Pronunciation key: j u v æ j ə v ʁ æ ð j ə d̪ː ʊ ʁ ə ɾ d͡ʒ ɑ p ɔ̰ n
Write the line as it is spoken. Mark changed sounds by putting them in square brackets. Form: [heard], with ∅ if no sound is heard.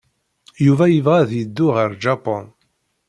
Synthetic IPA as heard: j u v æ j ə v ʁ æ ð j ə d̪ː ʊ ʁ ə ɾ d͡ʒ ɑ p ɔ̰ n